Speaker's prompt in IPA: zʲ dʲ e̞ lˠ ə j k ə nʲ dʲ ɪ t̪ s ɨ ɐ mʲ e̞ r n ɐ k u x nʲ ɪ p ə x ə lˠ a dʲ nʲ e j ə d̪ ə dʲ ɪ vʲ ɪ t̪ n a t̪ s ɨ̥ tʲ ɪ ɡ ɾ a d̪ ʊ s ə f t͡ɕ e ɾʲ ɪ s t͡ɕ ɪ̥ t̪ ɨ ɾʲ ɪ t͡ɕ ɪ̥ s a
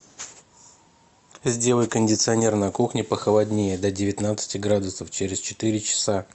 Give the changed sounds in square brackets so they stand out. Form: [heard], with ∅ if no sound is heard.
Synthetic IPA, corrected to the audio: zʲ dʲ e̞ lˠ ə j k ə nʲ dʲ ɪ t̪ s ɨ ɐ [nʲ] e̞ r n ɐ k u x nʲ ɪ p ə x ə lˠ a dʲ nʲ e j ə d̪ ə dʲ ɪ vʲ ɪ t̪ n a t̪ s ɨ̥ tʲ ɪ ɡ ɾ a d̪ ʊ s ə f t͡ɕ e ɾʲ ɪ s t͡ɕ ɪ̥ t̪ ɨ ɾʲ ɪ t͡ɕ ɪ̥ s a